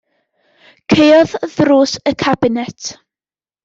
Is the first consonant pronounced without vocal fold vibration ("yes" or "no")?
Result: yes